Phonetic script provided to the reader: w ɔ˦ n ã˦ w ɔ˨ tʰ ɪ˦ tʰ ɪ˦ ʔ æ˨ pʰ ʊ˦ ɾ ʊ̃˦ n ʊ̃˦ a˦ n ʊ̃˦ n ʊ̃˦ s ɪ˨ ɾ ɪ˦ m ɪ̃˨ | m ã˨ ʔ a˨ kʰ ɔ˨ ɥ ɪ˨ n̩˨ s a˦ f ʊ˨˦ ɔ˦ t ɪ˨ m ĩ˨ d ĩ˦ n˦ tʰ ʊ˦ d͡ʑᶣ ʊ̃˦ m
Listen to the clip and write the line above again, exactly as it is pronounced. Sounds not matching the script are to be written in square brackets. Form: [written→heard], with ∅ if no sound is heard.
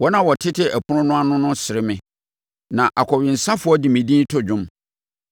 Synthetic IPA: w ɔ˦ n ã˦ w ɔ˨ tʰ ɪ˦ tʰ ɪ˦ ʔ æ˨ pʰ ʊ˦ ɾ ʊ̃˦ n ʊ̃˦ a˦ n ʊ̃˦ n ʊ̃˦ s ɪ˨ ɾ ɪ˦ m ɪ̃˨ | [m→n] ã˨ ʔ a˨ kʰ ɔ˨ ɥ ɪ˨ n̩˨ s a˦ f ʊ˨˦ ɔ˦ [t→d] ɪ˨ m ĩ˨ d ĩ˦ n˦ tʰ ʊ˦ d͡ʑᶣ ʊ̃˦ m